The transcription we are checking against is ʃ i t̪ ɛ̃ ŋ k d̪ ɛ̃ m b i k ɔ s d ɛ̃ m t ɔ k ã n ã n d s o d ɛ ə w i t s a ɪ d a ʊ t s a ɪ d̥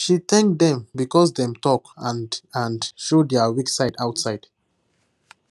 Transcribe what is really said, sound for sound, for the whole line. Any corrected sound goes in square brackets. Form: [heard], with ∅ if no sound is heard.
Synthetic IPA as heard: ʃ i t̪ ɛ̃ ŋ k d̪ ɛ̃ m b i k ɔ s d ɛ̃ m t ɔ k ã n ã n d [ʃ] o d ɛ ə w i [k] s a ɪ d a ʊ t s a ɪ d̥